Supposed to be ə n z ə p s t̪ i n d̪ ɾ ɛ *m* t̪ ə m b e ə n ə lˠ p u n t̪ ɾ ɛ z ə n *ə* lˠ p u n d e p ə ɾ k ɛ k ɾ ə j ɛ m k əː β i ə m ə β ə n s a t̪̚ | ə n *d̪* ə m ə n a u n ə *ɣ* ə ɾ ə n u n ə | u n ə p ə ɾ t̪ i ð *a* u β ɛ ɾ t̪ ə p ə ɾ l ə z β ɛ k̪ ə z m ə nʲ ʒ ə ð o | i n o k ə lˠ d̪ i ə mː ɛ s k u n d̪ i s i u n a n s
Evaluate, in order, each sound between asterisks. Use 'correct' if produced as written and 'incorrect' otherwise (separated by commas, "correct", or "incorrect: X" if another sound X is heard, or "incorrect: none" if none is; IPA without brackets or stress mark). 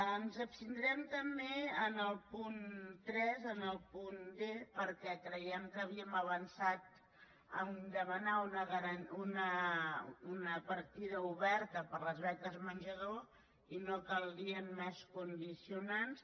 correct, correct, correct, correct, incorrect: ə